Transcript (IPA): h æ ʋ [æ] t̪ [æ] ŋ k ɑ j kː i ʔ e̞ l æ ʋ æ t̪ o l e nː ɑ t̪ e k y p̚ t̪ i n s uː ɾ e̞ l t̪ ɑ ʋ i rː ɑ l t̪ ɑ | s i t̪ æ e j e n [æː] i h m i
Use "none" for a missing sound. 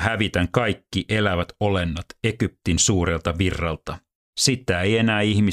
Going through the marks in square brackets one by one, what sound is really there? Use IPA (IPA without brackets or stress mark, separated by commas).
i, æ, æː